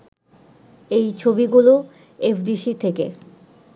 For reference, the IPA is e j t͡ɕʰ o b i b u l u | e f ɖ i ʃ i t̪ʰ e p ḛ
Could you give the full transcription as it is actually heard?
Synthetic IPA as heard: e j t͡ɕʰ o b i ɡ u l o | e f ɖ i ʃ i t̪ʰ e k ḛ